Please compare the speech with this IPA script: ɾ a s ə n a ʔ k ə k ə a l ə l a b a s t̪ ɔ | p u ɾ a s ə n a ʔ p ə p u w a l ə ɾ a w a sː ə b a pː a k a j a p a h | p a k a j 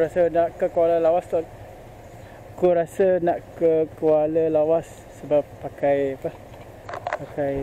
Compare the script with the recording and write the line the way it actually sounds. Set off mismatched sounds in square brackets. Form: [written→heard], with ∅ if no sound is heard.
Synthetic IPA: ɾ a s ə n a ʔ k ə k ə a l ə l a [b→w] a s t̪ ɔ | [p→k] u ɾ a s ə n a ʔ [p→k] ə [p→k] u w a l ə [ɾ→l] a w a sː ə b a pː a k a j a p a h | p a k a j